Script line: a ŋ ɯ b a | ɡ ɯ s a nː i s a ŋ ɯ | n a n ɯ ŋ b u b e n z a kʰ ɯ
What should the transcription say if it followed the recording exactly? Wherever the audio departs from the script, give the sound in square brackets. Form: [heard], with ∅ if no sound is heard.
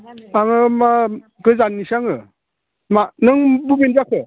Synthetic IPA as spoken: a ŋ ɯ [m] a | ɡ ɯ [z] a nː i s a ŋ ɯ | [m] a n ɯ ŋ b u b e n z a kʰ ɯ